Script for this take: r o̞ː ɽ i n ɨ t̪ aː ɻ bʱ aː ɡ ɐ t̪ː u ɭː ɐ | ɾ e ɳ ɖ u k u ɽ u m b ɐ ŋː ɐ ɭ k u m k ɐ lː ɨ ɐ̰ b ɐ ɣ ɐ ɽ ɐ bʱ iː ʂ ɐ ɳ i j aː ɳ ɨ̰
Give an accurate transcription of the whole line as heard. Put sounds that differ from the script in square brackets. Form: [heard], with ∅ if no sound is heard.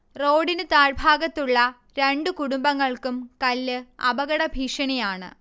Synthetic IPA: r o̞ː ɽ i n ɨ t̪ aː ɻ bʱ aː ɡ ɐ t̪ː u ɭː ɐ | ɾ e ɳ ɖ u k u ɽ u m b ɐ ŋː ɐ ɭ k u m k ɐ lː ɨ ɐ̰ b ɐ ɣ ɐ ɽ ɐ bʱ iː ʂ ɐ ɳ i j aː ɳ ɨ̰